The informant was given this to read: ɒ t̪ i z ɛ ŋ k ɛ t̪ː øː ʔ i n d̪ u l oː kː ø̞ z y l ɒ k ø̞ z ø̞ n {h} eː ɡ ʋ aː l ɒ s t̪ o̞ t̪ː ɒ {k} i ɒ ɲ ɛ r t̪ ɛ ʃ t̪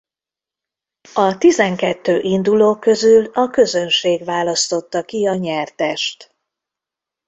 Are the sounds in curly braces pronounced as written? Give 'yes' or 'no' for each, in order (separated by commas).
no, yes